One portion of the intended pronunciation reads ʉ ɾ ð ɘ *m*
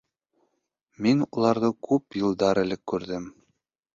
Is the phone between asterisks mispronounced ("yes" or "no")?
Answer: no